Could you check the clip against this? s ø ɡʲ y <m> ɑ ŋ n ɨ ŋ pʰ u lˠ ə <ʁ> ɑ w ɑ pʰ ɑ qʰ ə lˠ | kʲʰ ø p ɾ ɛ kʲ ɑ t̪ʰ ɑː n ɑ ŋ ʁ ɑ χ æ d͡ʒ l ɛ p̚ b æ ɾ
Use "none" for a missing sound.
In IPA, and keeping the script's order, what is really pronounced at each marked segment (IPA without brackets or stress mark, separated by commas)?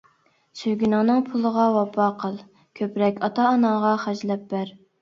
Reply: n, ʁ